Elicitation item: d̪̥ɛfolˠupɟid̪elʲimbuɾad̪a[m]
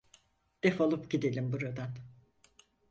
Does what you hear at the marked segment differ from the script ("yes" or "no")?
yes